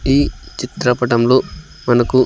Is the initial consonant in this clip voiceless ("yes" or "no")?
yes